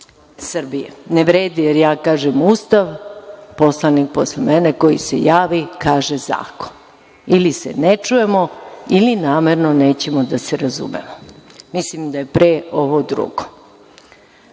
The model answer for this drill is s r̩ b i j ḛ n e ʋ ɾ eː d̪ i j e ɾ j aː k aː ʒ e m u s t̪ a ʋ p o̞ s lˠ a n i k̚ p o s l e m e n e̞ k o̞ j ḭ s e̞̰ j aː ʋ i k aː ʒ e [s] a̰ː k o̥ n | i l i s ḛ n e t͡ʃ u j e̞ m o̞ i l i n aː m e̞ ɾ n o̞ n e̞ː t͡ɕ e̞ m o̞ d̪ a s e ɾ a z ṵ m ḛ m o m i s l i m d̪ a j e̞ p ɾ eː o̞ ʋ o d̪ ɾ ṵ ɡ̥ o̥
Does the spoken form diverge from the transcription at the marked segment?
yes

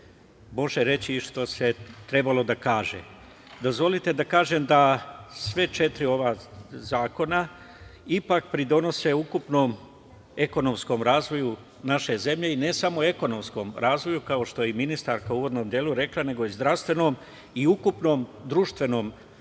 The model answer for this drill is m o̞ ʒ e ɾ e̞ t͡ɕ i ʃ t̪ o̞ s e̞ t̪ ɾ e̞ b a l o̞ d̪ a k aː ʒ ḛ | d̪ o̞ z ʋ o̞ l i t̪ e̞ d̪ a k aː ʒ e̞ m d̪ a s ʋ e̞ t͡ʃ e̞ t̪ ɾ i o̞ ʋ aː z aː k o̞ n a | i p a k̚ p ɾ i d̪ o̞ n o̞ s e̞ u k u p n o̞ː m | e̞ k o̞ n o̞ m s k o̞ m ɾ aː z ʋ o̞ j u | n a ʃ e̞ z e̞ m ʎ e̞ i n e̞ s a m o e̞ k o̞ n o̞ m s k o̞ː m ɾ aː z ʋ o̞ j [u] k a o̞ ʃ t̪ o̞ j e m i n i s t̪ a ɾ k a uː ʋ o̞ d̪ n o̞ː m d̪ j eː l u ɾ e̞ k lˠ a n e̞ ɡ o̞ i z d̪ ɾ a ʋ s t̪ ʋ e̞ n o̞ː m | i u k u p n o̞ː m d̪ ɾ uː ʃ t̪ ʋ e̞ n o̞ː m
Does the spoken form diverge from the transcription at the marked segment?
no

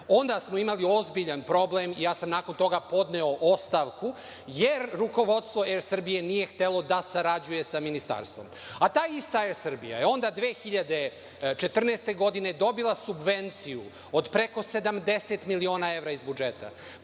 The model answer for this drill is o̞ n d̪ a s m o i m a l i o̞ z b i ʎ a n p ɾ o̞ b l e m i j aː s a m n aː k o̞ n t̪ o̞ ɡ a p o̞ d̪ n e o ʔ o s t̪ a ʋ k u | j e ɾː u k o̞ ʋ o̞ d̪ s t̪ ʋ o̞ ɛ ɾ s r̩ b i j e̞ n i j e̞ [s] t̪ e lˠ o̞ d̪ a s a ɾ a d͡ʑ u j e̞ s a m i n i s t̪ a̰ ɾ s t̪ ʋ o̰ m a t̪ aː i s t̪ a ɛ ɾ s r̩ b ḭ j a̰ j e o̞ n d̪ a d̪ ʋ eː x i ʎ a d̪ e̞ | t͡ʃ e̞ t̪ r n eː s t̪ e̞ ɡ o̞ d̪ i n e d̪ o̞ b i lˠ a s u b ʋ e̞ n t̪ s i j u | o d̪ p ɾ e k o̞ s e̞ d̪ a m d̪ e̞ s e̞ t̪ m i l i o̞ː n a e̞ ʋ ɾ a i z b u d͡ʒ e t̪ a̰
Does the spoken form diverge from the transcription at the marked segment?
yes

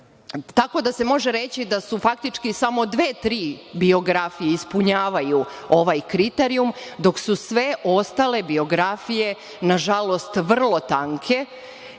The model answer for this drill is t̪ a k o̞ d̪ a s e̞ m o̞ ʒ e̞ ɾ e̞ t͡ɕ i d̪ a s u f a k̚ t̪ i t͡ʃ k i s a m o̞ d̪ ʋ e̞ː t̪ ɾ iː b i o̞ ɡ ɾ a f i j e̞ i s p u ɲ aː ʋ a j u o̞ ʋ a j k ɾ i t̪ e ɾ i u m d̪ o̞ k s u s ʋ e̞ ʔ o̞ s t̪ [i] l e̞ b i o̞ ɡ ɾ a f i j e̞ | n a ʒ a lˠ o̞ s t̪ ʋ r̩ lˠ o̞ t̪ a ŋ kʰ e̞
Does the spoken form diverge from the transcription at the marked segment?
yes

